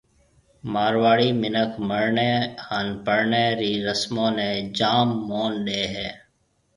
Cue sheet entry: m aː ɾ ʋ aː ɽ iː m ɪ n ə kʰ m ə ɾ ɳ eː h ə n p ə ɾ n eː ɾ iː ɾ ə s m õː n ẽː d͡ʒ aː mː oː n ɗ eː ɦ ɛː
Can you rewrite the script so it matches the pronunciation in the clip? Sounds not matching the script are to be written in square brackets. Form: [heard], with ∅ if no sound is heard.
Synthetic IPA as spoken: m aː ɾ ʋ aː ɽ iː m ɪ n ə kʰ m ə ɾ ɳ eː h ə n p ə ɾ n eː ɾ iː ɾ ə s m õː n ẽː d͡ʒ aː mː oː n ɗ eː ɦ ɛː